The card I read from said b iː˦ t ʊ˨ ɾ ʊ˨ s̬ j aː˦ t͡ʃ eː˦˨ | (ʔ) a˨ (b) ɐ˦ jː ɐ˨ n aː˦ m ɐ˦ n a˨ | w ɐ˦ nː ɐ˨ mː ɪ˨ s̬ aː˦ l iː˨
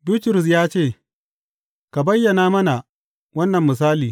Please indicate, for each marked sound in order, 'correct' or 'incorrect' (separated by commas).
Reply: incorrect, correct